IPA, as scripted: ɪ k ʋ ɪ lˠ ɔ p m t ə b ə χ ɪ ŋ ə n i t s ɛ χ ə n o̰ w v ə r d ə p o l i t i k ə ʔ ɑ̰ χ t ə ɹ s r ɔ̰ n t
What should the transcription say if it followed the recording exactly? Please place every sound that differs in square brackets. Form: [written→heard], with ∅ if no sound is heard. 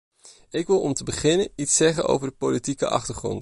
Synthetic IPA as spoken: ɪ k ʋ ɪ lˠ ɔ [p→∅] m t ə b ə χ ɪ [ŋ→n] ə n i t s ɛ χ ə n o̰ w v ə [r→ɹ] d ə p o l i t i k ə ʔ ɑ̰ χ t ə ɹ [s→χ] r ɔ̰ n t